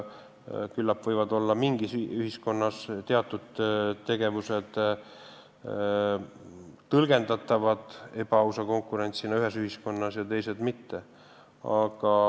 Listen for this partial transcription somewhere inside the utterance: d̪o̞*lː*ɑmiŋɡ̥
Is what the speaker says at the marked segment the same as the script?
yes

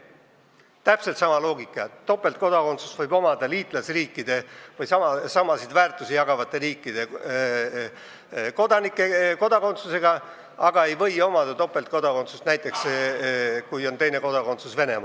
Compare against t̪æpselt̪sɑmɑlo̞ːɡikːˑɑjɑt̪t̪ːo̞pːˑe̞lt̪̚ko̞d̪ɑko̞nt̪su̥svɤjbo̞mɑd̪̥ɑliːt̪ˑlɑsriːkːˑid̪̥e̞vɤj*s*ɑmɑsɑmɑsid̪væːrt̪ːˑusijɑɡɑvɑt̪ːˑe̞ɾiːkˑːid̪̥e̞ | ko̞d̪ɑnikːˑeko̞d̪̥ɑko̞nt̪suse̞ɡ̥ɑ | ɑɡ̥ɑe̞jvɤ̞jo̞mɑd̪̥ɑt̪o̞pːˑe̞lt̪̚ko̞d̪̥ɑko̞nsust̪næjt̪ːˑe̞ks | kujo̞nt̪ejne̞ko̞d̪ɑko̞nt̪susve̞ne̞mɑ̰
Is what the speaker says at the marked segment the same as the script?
yes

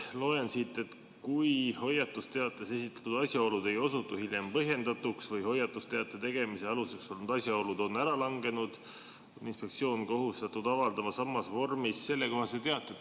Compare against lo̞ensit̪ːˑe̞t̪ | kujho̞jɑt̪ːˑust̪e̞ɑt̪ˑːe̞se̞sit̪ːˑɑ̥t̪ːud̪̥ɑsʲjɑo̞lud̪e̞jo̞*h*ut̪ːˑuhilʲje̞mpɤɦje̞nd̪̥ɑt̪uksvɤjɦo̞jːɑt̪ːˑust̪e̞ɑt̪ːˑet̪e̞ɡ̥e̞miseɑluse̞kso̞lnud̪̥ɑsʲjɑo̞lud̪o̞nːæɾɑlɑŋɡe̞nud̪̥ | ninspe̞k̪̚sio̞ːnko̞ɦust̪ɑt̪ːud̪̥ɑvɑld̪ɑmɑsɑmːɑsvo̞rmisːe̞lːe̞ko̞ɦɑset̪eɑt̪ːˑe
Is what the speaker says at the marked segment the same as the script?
no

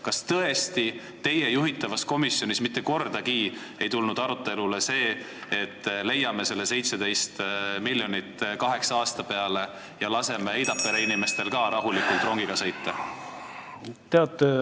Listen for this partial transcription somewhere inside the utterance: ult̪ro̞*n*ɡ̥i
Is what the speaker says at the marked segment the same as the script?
no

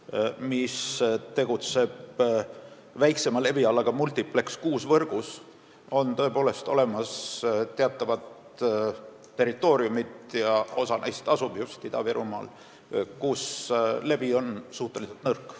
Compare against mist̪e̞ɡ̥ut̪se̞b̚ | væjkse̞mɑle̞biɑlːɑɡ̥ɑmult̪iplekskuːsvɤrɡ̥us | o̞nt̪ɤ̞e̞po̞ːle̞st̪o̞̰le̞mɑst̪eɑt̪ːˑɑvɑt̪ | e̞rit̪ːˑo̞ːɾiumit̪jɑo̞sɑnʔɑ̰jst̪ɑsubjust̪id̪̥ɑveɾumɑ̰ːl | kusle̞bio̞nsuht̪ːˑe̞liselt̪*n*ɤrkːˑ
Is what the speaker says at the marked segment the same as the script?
yes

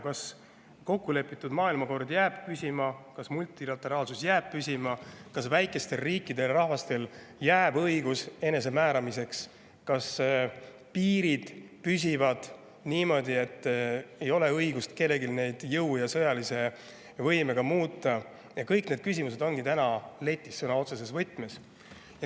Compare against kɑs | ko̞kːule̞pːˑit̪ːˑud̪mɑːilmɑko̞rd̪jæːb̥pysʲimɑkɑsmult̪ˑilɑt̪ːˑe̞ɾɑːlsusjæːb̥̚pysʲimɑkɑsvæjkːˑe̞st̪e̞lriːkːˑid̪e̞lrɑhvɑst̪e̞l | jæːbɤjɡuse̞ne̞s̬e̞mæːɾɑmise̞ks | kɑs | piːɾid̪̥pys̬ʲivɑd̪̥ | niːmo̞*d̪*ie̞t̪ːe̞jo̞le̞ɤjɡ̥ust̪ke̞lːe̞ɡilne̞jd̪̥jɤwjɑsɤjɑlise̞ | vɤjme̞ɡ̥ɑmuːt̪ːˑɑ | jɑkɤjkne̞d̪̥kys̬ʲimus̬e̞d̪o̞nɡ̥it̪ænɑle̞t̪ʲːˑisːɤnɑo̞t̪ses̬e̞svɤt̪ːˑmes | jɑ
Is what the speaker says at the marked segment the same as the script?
yes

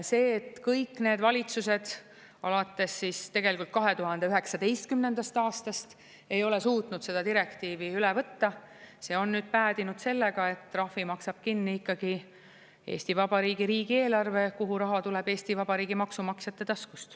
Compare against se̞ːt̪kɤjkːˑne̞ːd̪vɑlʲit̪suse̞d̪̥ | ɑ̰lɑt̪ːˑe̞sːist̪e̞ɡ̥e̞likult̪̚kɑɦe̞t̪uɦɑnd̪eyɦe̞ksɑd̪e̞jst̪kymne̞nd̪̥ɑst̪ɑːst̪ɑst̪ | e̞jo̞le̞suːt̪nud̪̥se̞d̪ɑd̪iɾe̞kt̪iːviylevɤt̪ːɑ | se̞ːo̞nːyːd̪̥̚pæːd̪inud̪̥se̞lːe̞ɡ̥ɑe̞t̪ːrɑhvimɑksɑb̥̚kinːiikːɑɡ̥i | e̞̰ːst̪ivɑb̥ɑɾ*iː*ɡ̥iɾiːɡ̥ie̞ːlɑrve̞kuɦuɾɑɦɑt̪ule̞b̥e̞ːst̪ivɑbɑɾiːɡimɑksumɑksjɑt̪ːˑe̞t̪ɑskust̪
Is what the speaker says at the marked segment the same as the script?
yes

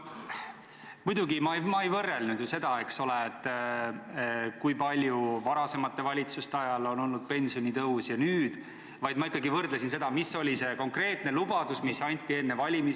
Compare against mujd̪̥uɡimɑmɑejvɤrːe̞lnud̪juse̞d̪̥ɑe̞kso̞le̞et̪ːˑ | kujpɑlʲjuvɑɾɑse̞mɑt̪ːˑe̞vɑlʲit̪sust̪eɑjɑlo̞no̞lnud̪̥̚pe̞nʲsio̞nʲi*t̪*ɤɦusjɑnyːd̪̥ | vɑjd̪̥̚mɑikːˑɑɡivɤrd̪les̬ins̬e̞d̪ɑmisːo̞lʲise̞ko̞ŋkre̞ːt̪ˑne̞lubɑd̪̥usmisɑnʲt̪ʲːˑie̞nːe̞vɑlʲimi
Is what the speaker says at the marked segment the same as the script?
yes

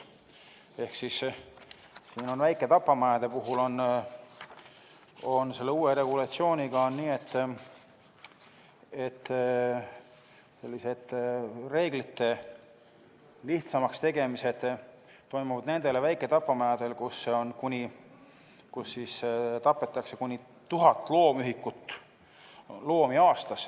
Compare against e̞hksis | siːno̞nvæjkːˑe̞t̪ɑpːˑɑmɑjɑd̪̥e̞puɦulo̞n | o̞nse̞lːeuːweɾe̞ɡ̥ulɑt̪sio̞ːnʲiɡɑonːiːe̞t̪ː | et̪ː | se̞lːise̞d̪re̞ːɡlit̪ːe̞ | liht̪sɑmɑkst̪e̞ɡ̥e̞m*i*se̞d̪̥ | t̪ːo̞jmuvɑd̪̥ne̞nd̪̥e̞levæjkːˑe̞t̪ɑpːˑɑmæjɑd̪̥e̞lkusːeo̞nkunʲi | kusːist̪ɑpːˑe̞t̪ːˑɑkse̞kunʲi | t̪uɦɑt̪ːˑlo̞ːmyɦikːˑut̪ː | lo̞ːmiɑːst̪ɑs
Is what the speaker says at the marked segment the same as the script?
yes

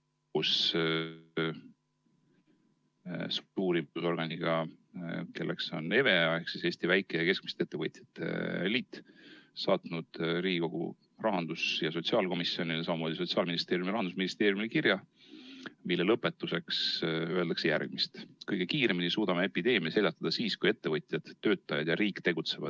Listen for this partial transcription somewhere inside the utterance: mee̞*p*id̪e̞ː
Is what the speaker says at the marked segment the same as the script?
yes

